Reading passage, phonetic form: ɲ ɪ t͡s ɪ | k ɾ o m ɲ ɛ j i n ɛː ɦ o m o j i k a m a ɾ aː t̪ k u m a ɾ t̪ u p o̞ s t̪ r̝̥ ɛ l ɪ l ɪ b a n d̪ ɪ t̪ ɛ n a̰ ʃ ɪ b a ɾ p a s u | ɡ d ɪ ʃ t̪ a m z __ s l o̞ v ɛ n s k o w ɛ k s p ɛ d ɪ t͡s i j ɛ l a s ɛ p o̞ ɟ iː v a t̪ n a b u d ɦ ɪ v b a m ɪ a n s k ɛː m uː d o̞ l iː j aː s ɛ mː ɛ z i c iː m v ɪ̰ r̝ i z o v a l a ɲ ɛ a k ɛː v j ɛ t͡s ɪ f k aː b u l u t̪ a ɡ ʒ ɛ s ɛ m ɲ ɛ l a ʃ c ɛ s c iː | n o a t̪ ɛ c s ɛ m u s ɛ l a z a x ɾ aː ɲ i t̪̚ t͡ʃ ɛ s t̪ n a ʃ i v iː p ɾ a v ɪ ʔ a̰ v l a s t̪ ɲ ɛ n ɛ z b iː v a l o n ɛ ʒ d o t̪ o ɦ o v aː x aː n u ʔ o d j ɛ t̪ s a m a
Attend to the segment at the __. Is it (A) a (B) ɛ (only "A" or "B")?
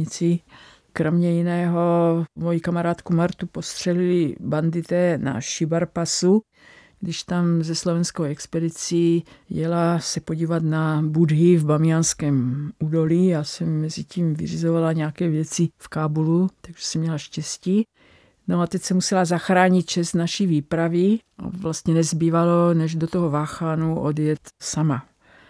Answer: B